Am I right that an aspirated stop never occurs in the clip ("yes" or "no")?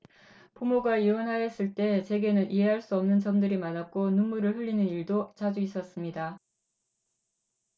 yes